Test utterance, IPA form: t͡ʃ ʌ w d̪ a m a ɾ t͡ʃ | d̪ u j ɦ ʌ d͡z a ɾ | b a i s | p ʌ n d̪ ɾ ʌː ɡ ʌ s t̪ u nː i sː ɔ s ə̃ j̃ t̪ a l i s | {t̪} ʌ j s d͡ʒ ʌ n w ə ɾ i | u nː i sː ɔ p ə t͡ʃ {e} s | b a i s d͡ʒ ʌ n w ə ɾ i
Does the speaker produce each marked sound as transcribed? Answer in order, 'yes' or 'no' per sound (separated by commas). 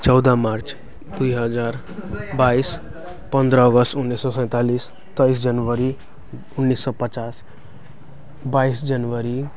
yes, no